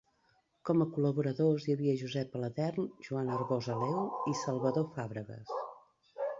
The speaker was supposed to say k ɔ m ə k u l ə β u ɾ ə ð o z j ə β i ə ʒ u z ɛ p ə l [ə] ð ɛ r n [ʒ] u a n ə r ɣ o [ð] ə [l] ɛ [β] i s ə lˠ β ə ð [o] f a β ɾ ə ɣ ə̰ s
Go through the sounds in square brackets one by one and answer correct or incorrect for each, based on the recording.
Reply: correct, correct, incorrect: z, correct, incorrect: w, correct

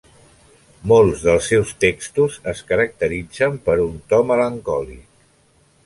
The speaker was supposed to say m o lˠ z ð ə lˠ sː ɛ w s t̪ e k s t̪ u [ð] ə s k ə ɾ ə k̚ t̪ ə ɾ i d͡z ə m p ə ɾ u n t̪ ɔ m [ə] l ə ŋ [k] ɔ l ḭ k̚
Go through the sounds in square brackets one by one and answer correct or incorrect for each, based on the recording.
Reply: incorrect: z, correct, correct

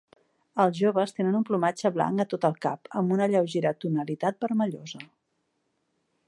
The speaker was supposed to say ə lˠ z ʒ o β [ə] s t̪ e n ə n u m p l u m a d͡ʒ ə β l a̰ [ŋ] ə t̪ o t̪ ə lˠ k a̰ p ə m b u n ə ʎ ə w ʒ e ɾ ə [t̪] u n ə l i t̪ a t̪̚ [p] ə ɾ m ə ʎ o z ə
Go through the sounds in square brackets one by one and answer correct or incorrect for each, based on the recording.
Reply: correct, correct, correct, incorrect: b

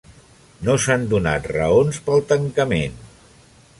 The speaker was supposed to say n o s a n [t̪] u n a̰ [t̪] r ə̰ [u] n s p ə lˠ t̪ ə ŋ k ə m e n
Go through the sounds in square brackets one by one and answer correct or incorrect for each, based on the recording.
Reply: incorrect: d̪, correct, incorrect: o

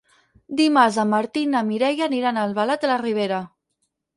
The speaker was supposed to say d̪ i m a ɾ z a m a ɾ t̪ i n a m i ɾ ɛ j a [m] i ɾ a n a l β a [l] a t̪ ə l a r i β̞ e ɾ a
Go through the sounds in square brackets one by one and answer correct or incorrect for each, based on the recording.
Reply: incorrect: n, correct

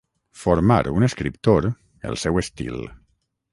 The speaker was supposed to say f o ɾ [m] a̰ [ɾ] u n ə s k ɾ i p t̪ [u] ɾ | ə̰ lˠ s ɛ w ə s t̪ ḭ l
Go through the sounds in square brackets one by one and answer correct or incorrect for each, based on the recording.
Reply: correct, correct, incorrect: o

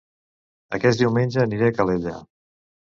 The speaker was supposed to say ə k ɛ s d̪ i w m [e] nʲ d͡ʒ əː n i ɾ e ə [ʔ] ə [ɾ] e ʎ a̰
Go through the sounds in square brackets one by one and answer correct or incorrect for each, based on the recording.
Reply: correct, incorrect: k, incorrect: l

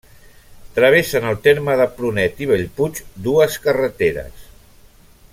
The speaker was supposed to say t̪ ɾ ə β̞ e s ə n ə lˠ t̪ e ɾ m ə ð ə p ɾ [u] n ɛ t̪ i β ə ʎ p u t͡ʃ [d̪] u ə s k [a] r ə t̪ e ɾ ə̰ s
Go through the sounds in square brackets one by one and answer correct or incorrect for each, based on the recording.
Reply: correct, correct, incorrect: ə

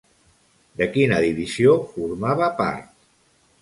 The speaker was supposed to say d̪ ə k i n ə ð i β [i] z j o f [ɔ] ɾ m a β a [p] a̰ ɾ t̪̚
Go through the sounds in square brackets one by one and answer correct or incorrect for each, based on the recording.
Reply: correct, incorrect: u, correct

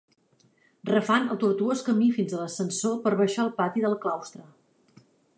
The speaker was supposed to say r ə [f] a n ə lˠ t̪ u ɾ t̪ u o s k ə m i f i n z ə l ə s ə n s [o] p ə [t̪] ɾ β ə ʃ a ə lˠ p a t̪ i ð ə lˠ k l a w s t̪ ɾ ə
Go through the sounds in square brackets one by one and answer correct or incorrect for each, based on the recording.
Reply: correct, correct, incorrect: none

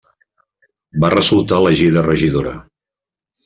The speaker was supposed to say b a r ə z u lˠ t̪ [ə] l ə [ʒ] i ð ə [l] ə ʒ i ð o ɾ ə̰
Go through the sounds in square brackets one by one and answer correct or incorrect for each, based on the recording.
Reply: incorrect: a, correct, incorrect: r

